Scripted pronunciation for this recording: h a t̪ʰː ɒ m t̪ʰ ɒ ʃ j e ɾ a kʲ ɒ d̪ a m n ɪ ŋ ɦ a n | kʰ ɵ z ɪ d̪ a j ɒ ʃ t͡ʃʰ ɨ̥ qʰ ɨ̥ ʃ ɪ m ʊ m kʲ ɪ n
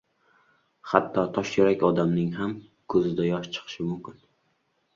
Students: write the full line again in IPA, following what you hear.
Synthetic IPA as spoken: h a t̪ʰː ɒ t̪ʰ ɒ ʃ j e ɾ a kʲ ɒ d̪ a m n ɪ ŋ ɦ a m | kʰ ɵ z ɪ d̪ a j ɒ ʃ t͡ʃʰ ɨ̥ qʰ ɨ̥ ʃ ɪ m ʊ m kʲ ɪ n